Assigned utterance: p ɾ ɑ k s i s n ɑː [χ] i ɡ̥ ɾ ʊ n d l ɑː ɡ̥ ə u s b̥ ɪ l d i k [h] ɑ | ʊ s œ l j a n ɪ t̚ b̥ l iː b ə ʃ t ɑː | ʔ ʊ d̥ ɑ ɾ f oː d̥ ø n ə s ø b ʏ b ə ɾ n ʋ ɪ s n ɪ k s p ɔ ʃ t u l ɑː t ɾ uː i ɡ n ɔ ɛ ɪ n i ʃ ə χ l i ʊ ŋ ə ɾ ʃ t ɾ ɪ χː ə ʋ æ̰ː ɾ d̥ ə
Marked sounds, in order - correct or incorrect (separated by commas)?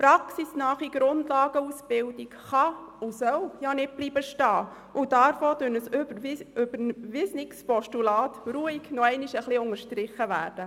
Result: correct, incorrect